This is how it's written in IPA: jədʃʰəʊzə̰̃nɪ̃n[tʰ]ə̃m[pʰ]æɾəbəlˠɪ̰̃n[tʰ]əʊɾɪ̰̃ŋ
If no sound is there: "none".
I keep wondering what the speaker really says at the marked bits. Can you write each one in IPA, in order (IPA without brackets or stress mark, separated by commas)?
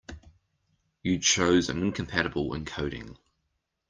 kʰ, pʰ, kʰ